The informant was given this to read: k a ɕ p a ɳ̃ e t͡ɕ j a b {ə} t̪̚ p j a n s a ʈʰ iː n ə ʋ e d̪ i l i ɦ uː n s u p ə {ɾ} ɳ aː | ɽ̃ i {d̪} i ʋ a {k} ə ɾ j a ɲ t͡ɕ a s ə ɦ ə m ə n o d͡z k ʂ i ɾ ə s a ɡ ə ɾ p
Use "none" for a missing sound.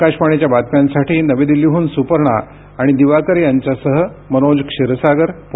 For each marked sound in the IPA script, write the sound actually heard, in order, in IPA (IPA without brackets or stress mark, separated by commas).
a, ɾ, d̪, k